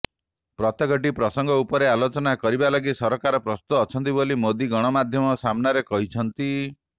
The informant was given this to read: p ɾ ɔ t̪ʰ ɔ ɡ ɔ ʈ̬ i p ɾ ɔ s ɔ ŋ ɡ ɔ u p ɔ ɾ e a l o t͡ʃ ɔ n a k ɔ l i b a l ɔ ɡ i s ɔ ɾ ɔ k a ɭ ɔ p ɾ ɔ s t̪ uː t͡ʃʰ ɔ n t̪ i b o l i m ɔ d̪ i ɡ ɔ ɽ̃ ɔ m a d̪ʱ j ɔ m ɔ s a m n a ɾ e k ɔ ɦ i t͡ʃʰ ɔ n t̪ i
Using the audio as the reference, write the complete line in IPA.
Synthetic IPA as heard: p ɾ ɔ t̪ ɔ ɡ ɔ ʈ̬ i p ɾ ɔ s ɔ ŋ ɡ ɔ u p ɔ ɾ e a l o t͡ʃ ɔ n a k ɔ ɾ i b a l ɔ ɡ i s ɔ ɾ ɔ k a ɾ ɔ p ɾ ɔ s t̪ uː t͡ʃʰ ɔ n t̪ i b o l i m o d̪ i ɡ ɔ ɽ̃ ɔ m a d̪ʱ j ɔ m ɔ s a m n a ɾ e k ɔ ɦ i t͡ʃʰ ɔ n t̪ i